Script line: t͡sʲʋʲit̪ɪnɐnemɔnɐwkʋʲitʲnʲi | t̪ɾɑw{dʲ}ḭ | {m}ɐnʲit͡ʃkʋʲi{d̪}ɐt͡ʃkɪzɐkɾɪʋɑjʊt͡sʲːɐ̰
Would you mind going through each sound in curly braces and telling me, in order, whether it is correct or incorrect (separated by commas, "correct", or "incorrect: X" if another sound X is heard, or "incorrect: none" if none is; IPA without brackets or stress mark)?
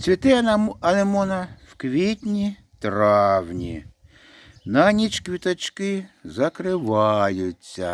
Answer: incorrect: nʲ, incorrect: n, incorrect: t̪